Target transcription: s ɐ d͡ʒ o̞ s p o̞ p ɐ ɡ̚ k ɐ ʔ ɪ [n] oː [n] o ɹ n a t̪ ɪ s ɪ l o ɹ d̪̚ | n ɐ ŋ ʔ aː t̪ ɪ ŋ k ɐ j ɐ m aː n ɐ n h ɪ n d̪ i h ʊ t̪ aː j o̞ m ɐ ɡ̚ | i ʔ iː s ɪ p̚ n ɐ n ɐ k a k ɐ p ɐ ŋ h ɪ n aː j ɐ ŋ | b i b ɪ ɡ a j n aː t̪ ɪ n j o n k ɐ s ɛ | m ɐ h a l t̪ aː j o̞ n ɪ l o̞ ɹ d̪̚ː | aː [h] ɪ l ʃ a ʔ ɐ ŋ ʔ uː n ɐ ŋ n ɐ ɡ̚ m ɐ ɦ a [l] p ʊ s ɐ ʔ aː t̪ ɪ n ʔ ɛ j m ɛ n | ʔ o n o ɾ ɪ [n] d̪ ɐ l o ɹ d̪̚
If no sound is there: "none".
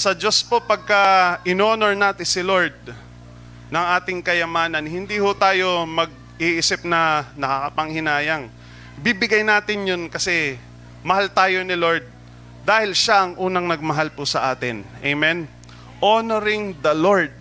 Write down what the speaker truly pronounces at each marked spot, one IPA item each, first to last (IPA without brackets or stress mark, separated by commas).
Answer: n, n, h, l, ŋ